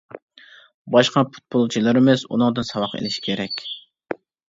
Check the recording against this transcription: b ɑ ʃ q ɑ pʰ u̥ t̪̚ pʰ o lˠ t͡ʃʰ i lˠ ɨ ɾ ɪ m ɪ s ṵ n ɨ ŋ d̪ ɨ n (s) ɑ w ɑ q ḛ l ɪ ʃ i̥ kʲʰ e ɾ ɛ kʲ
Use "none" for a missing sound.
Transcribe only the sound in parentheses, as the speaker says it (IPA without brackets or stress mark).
s